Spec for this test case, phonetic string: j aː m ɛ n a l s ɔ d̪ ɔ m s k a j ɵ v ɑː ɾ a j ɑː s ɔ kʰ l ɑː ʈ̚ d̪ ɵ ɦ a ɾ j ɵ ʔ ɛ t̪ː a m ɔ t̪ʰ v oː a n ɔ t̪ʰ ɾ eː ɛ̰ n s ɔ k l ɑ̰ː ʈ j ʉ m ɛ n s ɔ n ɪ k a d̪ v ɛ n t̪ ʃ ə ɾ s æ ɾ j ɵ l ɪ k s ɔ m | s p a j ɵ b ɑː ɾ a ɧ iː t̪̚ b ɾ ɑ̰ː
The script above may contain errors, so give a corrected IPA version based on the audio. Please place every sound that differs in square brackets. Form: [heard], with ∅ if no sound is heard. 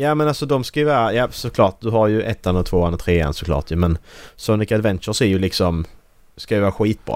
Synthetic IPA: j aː m ɛ n a l s ɔ d̪ ɔ m s k a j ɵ v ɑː ɾ a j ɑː s ɔ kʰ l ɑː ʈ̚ d̪ ɵ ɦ a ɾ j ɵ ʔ ɛ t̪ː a [n] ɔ t̪ʰ v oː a n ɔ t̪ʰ ɾ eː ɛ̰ n s ɔ k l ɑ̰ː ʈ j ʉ m ɛ n s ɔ n ɪ k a d̪ v ɛ n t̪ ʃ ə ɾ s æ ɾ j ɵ l ɪ k s ɔ m | s [k] a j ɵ [v] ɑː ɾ a ɧ iː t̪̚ b ɾ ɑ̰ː